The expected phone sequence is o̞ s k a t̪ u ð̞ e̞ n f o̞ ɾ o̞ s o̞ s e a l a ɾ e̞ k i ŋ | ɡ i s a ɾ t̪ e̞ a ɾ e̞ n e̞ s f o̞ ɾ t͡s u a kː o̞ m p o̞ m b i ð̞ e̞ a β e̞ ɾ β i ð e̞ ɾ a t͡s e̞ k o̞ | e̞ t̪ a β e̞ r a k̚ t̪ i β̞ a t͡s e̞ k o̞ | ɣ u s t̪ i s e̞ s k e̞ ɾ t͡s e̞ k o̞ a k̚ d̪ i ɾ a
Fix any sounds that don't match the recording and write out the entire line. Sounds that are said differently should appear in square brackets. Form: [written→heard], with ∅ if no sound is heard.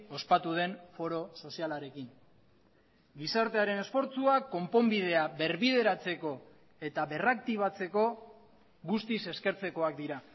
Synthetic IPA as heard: o̞ s [k→p] a t̪ u ð̞ e̞ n f o̞ ɾ o̞ s o̞ s [e→i] a l a ɾ e̞ k i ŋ | ɡ i s a ɾ t̪ e̞ a ɾ e̞ n e̞ s f o̞ ɾ t͡s u a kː o̞ m p o̞ m b i ð̞ e̞ a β e̞ ɾ β i ð e̞ ɾ a t͡s e̞ k o̞ | e̞ t̪ a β e̞ r a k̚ t̪ i β̞ a t͡s e̞ k o̞ | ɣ u s t̪ i s e̞ s k e̞ ɾ t͡s e̞ k o̞ a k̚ d̪ i ɾ a